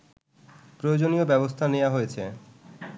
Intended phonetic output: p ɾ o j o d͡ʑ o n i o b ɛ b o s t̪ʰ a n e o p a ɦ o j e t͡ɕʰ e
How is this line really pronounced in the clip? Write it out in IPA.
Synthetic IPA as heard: p ɾ o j o d͡ʑ o n i o b ɛ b o s t̪ʰ a n e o a ɦ o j e t͡ɕʰ e